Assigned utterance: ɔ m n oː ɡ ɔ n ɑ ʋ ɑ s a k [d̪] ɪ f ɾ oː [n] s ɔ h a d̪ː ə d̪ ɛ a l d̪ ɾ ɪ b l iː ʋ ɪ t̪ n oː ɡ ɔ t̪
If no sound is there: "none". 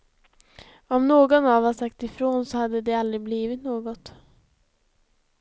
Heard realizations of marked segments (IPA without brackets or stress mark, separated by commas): t̪, n